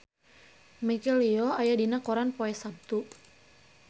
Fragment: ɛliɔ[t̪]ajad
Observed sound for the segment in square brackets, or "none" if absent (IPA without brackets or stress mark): none